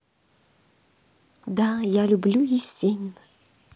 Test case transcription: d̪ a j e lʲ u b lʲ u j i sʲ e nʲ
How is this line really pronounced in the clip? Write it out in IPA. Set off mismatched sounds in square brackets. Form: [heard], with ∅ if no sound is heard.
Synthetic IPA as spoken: d̪ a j [a] lʲ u b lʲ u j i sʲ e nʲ